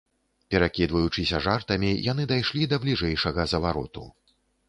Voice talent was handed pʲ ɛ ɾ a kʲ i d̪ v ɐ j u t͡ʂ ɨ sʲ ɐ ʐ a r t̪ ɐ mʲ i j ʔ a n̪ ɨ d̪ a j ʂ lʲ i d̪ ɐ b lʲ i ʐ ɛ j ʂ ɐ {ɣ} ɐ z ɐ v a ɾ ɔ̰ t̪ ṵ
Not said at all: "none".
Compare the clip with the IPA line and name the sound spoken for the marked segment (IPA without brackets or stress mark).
ɣ